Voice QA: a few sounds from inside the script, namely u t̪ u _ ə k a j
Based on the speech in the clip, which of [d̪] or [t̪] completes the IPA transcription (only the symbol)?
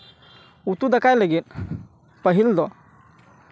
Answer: d̪